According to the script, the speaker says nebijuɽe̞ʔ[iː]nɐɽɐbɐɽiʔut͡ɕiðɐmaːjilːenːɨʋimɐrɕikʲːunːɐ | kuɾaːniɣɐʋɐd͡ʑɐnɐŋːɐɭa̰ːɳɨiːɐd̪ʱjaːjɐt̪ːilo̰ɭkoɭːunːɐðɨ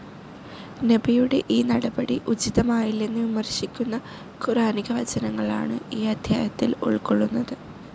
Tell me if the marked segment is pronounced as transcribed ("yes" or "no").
yes